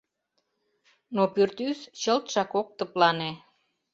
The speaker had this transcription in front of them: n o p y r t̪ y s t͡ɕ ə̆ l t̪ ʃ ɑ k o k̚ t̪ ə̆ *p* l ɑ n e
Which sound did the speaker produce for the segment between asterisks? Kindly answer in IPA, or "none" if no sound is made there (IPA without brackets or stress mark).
p